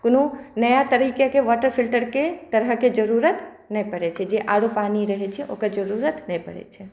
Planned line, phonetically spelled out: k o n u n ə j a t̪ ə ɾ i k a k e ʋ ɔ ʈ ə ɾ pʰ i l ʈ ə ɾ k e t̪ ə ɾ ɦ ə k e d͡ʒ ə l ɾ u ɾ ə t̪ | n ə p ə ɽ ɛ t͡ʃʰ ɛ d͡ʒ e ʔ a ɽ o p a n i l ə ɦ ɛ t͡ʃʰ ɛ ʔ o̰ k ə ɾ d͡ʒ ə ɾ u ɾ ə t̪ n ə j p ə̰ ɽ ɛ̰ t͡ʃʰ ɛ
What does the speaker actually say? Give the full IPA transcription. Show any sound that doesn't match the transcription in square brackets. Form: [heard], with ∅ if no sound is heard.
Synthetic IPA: k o n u n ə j a t̪ ə ɾ i k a k e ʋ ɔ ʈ ə ɾ pʰ i l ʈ ə ɾ k e t̪ ə ɾ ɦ ə k e d͡ʒ ə [∅] ɾ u ɾ ə t̪ | n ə p ə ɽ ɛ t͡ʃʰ ɛ d͡ʒ e ʔ a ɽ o p a n i [ɾ] ə ɦ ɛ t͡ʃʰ ɛ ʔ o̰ k ə ɾ d͡ʒ ə ɾ u ɾ ə t̪ n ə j p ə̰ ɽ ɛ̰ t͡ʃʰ ɛ